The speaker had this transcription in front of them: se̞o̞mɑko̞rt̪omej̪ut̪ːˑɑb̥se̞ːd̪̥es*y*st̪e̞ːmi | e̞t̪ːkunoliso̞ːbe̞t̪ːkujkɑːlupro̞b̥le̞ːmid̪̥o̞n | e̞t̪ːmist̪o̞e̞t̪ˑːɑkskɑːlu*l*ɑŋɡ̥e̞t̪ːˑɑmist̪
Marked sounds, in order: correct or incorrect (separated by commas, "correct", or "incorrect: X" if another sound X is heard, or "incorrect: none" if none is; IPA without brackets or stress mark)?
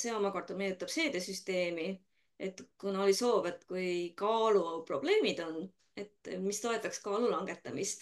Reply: correct, correct